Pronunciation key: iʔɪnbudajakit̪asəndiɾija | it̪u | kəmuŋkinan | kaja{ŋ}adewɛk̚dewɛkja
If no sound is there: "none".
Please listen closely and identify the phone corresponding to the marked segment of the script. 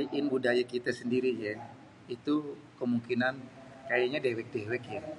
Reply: ɲ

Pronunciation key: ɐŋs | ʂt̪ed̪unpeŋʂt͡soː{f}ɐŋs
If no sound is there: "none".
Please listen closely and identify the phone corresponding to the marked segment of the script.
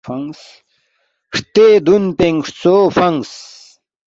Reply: f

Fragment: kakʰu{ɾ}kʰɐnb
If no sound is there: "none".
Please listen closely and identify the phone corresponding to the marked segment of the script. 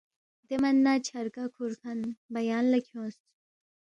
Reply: ɾ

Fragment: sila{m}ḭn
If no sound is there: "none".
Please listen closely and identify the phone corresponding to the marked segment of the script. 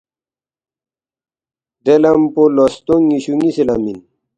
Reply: m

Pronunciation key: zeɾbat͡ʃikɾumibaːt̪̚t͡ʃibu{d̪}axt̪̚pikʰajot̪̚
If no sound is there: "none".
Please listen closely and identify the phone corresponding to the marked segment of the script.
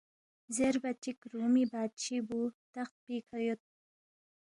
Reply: t̪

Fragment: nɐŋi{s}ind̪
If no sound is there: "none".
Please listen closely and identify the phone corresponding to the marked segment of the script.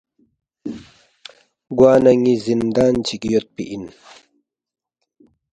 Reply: z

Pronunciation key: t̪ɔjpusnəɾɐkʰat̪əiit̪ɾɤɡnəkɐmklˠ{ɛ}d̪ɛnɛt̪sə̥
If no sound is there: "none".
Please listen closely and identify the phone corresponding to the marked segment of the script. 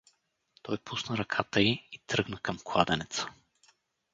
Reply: a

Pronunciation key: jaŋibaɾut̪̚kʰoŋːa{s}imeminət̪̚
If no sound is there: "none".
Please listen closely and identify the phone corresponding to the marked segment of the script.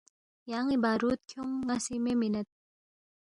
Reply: s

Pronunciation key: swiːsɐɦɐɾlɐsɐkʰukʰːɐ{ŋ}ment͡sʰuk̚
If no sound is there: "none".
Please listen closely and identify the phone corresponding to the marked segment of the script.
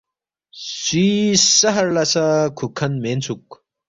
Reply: n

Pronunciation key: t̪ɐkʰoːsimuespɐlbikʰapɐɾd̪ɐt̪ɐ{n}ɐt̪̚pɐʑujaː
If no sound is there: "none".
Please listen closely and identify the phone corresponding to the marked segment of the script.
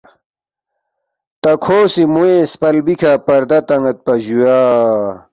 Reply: ŋ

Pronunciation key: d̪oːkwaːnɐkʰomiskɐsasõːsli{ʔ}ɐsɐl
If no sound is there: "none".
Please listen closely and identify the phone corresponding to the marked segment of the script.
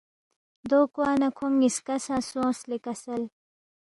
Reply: k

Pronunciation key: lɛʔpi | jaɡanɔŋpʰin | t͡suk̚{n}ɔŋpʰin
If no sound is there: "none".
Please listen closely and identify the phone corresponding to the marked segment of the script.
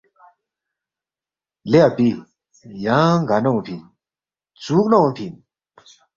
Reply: n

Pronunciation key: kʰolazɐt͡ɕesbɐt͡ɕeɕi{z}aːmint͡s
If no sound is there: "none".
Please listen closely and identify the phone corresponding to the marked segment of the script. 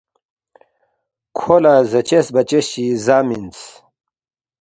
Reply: z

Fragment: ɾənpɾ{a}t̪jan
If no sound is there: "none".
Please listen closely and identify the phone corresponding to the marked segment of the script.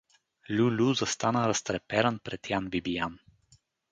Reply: ɛ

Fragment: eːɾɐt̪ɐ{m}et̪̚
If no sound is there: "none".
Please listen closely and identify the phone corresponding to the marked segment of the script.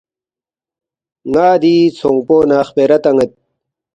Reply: ŋ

